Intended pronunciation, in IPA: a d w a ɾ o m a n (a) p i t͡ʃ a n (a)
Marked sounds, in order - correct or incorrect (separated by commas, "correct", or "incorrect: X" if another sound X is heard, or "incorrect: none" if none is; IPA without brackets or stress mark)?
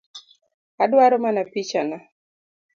correct, correct